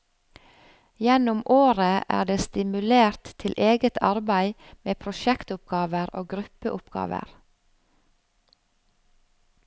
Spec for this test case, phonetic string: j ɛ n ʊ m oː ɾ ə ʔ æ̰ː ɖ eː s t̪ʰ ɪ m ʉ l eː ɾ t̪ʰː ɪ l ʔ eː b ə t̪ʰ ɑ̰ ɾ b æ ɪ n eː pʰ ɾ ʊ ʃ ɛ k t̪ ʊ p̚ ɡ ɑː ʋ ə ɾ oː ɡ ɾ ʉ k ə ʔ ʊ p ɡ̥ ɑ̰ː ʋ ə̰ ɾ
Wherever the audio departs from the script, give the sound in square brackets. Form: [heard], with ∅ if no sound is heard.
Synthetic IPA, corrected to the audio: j ɛ n ʊ m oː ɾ ə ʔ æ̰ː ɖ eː s [t̪] ɪ m ʉ l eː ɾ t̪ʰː ɪ l ʔ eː [ɡ] ə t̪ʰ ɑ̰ ɾ b æ ɪ [m] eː pʰ ɾ ʊ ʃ ɛ k t̪ ʊ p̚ ɡ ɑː ʋ ə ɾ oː ɡ ɾ ʉ [p] ə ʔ ʊ p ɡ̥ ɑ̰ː ʋ ə̰ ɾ